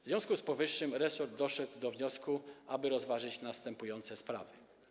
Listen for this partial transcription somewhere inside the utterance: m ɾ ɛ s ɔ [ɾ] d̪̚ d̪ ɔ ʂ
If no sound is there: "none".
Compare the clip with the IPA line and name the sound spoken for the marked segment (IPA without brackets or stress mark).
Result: ɾ